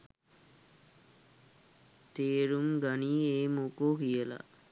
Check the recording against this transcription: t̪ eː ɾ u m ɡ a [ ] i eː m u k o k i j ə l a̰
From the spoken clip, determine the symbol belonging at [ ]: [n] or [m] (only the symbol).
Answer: n